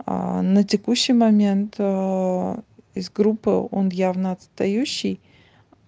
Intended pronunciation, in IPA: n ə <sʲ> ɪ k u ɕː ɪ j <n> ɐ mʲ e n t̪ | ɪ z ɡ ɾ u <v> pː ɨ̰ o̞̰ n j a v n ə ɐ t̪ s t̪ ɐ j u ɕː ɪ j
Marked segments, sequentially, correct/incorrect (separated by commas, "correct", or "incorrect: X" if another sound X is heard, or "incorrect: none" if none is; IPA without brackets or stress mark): incorrect: tʲ, incorrect: m, incorrect: none